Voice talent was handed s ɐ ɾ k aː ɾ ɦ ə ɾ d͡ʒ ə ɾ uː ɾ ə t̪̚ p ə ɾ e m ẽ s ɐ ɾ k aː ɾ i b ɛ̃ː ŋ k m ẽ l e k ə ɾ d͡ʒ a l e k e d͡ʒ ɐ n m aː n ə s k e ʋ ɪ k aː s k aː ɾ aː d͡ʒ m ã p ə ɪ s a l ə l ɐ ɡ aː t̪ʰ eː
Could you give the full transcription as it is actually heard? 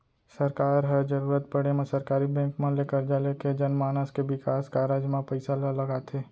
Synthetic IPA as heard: s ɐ ɾ k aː ɾ ɦ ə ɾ d͡ʒ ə ɾ uː ɾ ə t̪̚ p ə ɽ e m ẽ s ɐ ɾ k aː ɾ i b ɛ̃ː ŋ k m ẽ l e k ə ɾ d͡ʒ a l e k e d͡ʒ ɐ n m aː n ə s k e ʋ ɪ k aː s k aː ɾ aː d͡ʒ m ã p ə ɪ s a l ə l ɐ ɡ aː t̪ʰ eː

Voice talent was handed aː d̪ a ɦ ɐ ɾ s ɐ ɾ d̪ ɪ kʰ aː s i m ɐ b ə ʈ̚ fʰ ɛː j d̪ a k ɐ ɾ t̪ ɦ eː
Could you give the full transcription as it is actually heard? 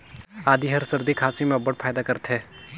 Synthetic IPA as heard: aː d̪ i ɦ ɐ ɾ s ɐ ɾ d̪ i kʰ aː s i m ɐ b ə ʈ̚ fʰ aː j d̪ a k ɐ ɾ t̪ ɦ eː

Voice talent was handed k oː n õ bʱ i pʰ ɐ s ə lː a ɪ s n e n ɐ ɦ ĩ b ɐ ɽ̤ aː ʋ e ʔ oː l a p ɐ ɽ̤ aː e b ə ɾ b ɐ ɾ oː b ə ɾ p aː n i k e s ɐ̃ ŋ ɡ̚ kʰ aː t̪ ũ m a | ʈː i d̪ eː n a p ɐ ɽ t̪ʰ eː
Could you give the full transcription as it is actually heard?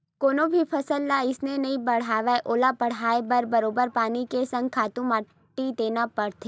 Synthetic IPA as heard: k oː n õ bʱ i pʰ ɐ s ə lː a ɪ s n e n ɐ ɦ ĩ b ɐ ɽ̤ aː ʋ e ʔ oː l a p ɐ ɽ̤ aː e b ə ɾ b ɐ ɾ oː b ə ɾ p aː n i k e s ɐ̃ ŋ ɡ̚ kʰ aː t̪ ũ m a | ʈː i d̪ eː n a p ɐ ɽ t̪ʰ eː

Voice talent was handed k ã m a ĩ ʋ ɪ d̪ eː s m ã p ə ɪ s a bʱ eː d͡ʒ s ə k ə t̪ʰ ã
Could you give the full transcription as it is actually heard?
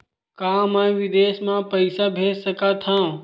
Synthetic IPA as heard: k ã m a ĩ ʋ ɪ d̪ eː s m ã p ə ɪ s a bʱ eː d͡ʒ s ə k a t̪ʰ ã

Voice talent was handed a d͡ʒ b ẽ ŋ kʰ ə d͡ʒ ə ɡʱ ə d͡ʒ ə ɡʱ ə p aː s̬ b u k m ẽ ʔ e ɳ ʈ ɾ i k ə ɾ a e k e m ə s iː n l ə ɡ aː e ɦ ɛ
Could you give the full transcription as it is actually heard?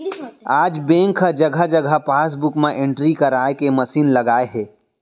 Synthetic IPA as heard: a d͡ʒ b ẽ ŋ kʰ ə d͡ʒ ə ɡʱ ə d͡ʒ ə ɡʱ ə p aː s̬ b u k m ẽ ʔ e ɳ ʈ ɾ i k ə ɾ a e k e m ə s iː n l ə ɡ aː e ɦ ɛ

